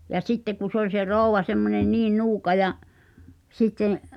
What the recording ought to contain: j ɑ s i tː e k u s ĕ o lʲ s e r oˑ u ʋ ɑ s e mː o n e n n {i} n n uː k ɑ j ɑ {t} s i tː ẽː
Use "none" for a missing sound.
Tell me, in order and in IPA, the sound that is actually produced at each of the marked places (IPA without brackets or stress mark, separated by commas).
iː, ʔ